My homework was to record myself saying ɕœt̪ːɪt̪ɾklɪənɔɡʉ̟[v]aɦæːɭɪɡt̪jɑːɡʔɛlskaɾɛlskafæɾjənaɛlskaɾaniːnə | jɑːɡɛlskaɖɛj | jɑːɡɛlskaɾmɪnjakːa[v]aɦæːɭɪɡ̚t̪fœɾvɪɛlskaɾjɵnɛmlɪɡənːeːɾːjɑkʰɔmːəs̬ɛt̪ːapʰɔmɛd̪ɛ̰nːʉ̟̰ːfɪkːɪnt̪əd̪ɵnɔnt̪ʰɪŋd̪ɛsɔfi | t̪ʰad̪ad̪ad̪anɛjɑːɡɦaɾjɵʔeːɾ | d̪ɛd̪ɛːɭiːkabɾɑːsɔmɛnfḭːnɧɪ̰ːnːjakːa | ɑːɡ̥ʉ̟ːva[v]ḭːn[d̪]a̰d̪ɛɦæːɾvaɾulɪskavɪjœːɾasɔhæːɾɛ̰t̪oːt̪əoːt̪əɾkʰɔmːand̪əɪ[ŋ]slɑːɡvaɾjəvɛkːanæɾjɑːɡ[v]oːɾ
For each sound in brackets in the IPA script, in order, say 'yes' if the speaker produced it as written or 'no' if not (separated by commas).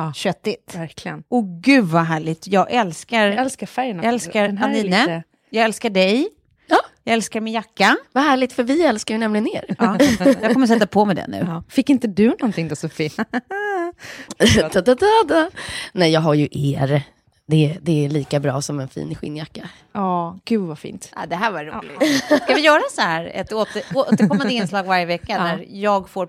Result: yes, yes, no, no, no, no